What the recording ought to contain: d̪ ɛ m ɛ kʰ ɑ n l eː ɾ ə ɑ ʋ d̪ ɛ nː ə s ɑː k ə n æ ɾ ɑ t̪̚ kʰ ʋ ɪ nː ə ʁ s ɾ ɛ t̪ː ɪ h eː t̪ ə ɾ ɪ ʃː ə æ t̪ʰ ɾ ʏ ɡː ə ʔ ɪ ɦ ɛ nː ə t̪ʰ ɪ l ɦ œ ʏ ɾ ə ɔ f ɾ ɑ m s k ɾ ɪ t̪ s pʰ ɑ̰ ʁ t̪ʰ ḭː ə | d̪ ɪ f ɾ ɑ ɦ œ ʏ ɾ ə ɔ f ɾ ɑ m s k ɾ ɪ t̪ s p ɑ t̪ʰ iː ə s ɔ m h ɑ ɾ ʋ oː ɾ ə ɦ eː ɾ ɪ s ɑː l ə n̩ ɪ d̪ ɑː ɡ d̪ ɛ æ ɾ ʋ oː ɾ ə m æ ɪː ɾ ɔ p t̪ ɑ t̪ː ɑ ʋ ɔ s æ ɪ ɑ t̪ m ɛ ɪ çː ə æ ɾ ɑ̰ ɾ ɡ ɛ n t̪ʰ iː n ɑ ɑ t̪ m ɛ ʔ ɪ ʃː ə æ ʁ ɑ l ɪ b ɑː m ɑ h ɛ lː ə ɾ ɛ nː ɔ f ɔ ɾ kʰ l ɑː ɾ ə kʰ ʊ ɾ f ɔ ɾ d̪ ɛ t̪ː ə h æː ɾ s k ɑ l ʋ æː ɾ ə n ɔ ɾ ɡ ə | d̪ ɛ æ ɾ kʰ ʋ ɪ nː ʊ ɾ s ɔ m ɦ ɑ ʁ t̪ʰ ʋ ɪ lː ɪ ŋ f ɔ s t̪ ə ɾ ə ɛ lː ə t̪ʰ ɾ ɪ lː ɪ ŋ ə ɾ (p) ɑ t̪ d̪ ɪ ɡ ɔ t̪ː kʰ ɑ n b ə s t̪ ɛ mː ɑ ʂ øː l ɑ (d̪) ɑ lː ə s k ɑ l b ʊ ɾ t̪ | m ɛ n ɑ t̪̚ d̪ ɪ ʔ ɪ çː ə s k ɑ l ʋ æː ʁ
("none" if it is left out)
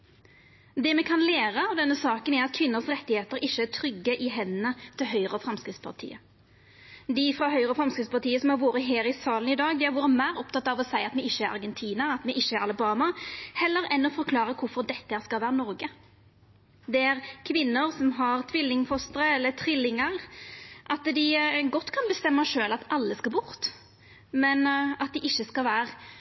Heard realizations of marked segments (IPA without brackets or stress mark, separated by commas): ʔ, t̪